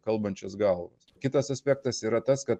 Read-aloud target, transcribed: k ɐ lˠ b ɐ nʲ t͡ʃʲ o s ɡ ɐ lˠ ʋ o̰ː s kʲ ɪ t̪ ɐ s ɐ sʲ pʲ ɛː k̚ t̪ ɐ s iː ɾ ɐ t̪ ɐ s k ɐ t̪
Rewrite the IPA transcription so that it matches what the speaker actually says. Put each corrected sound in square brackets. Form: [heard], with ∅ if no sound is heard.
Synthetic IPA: k ɐ lˠ b ɐ nʲ t͡ʃʲ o s ɡ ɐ lˠ ʋ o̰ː s kʲ ɪ t̪ ɐ s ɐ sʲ pʲ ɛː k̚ t̪ ɐ s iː ɾ ɐ t̪ ɐ s k ɐ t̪

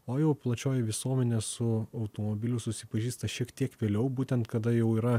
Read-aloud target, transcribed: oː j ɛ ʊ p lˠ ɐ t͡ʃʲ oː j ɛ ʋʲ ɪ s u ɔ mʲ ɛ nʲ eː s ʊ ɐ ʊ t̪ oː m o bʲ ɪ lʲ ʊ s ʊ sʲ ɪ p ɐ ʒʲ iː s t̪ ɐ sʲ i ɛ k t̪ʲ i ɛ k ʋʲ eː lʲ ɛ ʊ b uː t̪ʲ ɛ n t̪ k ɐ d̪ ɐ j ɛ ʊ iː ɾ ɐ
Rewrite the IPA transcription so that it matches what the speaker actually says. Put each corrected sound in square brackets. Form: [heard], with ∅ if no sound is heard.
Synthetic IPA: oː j ɛ ʊ p lˠ ɐ t͡ʃʲ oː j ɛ ʋʲ ɪ s u ɔ mʲ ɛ nʲ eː s ʊ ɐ ʊ t̪ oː m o bʲ ɪ lʲ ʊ s ʊ sʲ ɪ p ɐ ʒʲ iː s t̪ ɐ [ʃʲ] i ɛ k t̪ʲ i ɛ k ʋʲ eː lʲ ɛ ʊ b uː t̪ʲ ɛ n t̪ k ɐ d̪ ɐ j ɛ ʊ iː ɾ ɐ

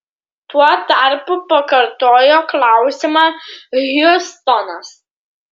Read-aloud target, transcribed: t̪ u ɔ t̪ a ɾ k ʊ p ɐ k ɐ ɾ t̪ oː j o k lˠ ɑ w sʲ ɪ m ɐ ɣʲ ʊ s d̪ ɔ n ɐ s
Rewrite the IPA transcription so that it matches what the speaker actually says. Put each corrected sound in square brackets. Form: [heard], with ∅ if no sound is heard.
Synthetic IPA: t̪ u ɔ t̪ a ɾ [p] ʊ p ɐ k ɐ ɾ t̪ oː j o k lˠ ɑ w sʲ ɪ m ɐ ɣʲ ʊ s [t̪] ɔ n ɐ s

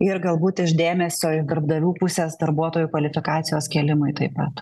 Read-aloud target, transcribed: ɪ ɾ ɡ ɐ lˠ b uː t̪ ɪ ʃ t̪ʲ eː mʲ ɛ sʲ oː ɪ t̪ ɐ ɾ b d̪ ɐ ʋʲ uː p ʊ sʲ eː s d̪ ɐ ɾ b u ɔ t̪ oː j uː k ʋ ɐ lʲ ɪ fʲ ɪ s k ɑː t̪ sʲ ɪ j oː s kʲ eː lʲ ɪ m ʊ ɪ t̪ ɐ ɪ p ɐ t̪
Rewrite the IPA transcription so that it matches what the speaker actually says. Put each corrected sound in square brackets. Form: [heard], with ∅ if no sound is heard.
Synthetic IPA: ɪ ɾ ɡ ɐ lˠ b uː t̪ ɪ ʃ [d̪ʲ] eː mʲ ɛ sʲ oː ɪ [d̪] ɐ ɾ b d̪ ɐ ʋʲ uː p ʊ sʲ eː s d̪ ɐ ɾ b u ɔ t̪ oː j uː k ʋ ɐ lʲ ɪ fʲ ɪ [∅] k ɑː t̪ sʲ ɪ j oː s kʲ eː lʲ ɪ m ʊ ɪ t̪ ɐ ɪ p ɐ t̪

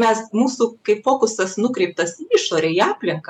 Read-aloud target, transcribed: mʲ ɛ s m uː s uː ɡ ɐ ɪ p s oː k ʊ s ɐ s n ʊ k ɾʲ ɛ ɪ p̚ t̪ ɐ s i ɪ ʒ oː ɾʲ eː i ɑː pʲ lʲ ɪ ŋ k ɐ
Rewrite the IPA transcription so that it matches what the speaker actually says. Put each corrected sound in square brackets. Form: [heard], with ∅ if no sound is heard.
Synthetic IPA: mʲ ɛ s m uː s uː [k] ɐ ɪ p [f] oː k ʊ s ɐ s n ʊ k ɾʲ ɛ ɪ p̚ t̪ ɐ s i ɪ [ʃ] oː ɾʲ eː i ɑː pʲ lʲ ɪ ŋ k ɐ

